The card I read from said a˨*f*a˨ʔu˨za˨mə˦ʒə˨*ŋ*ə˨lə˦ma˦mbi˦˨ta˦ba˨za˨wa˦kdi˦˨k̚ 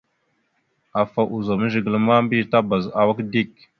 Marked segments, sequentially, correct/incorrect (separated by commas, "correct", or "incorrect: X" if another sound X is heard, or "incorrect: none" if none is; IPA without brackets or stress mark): correct, incorrect: ɡ